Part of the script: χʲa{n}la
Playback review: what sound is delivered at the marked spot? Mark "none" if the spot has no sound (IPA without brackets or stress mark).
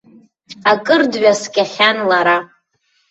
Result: n